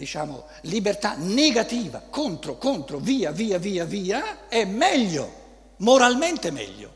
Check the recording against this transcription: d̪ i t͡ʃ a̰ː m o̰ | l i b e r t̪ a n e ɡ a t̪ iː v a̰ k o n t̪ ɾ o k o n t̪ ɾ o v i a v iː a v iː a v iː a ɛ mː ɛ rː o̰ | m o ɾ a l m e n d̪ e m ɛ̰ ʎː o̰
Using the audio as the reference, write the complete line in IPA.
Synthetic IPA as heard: d̪ i t͡ʃ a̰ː m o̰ | l i b e r t̪ a n e ɡ a t̪ iː v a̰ k o n t̪ ɾ o k o n t̪ ɾ o v iː a v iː a v iː a v iː a ɛ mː ɛ ʎː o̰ | m o ɾ a l m e n t̪ e m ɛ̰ ʎː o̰